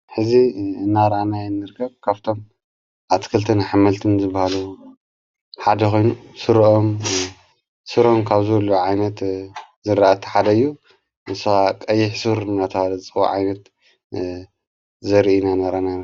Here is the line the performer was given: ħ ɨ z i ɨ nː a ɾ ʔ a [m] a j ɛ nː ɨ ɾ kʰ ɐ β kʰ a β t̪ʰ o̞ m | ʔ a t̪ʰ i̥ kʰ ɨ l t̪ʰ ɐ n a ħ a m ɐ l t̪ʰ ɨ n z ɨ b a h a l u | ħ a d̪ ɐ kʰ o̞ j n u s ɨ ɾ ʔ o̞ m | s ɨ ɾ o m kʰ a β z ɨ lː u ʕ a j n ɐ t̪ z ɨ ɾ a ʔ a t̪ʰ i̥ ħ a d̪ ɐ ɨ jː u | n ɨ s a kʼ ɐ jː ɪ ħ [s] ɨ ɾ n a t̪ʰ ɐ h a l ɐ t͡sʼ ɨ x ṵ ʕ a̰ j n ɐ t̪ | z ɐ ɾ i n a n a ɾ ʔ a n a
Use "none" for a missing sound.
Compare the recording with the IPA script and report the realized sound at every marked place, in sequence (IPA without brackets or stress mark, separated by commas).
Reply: n, s